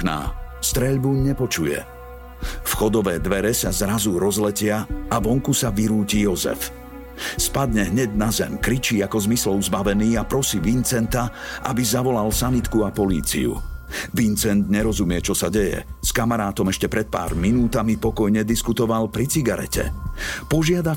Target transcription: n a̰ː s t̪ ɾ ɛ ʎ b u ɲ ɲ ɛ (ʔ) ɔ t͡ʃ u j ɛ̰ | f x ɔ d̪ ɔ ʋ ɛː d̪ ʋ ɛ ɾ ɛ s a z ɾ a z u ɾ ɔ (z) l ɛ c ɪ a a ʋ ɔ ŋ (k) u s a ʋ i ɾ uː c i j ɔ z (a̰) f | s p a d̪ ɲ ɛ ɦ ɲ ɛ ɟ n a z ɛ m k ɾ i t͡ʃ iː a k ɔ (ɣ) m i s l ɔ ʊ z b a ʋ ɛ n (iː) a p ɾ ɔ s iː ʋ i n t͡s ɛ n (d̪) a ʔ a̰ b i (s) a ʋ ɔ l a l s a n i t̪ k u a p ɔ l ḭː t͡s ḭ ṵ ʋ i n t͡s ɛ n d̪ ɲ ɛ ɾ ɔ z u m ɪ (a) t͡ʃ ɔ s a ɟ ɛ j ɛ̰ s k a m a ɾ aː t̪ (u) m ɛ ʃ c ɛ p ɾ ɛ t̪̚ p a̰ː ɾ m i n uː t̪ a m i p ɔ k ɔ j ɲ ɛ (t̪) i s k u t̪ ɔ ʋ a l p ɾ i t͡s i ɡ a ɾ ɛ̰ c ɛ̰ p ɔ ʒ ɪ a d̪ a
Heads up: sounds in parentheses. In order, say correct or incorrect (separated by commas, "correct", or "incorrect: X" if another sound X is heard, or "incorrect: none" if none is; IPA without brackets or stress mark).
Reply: incorrect: p, correct, correct, incorrect: ɛ̰, incorrect: z, correct, incorrect: t̪, incorrect: z, incorrect: ɛ, incorrect: ɔ, incorrect: d̪